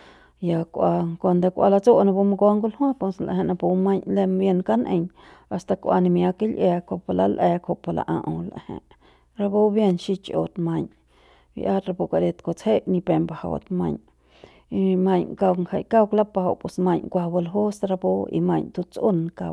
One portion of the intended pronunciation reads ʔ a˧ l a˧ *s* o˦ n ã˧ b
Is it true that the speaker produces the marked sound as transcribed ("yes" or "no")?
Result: no